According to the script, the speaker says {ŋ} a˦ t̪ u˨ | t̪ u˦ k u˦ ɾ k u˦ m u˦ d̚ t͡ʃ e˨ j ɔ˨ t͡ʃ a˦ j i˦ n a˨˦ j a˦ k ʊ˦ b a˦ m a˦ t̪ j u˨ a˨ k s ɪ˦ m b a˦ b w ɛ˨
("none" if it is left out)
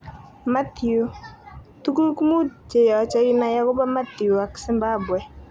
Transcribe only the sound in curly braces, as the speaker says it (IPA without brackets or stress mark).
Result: m